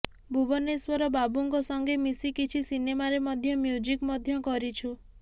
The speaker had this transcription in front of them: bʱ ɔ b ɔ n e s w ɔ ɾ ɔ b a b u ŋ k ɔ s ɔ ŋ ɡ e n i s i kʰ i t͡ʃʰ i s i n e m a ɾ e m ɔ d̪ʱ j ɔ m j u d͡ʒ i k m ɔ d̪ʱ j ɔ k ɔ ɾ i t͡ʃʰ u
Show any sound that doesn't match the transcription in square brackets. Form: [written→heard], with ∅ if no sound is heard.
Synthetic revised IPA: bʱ [ɔ→u] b ɔ n e s w ɔ ɾ ɔ b a b u ŋ k ɔ s ɔ ŋ ɡ e [n→m] i s i [kʰ→k] i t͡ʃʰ i s i n e m a ɾ e m ɔ d̪ʱ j ɔ m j u d͡ʒ i k m ɔ d̪ʱ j ɔ k ɔ ɾ i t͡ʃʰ u